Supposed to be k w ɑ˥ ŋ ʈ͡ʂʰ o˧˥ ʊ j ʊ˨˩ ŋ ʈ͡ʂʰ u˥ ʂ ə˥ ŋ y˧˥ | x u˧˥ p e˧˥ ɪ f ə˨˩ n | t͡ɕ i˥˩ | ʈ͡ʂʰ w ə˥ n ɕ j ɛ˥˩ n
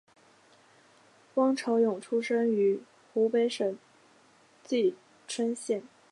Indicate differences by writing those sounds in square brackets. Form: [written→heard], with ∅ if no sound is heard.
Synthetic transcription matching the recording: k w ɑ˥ ŋ ʈ͡ʂʰ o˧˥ ʊ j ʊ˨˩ ŋ ʈ͡ʂʰ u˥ ʂ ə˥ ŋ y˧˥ | x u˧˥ p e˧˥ ɪ [f→ʂ] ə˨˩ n | t͡ɕ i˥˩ | ʈ͡ʂʰ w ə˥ n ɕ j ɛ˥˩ n